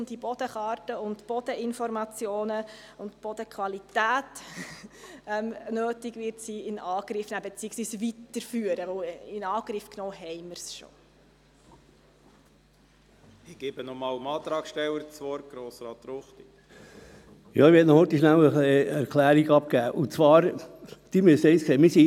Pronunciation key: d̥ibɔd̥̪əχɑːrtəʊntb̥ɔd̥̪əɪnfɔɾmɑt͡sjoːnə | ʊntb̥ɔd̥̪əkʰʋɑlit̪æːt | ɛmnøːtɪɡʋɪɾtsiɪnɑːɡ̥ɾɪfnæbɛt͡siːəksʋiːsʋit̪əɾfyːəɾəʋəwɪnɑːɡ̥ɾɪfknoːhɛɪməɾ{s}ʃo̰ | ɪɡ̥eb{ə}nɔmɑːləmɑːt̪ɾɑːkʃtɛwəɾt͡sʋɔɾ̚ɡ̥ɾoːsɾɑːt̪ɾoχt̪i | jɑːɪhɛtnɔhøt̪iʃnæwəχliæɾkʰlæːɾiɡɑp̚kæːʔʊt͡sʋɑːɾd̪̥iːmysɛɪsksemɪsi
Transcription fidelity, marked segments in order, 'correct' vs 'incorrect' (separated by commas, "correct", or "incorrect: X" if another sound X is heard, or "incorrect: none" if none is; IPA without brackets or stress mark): correct, correct